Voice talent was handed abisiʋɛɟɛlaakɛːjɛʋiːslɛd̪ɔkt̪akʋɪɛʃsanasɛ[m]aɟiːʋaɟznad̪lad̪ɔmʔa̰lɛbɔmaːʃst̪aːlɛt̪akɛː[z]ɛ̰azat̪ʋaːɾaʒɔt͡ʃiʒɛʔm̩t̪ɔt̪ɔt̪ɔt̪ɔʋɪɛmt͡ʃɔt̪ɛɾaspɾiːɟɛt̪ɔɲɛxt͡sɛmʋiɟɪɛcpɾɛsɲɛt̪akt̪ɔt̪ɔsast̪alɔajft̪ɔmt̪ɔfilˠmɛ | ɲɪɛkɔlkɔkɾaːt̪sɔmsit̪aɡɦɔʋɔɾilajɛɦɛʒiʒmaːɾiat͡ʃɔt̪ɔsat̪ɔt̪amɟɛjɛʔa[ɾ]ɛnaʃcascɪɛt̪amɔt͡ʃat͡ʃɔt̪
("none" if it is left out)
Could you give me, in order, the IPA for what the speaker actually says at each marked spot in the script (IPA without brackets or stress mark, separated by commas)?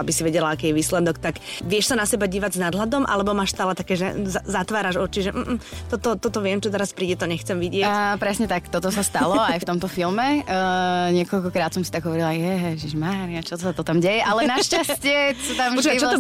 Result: b, ʒ, l